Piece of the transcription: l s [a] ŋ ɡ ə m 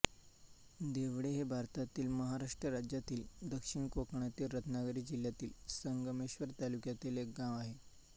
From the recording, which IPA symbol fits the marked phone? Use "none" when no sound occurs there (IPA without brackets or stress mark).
ə